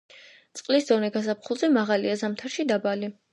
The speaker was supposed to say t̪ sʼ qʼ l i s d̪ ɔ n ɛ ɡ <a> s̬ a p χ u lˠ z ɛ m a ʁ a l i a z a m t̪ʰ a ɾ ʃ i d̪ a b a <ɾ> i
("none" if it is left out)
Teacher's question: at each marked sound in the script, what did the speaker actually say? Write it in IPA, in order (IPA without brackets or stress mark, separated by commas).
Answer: a, l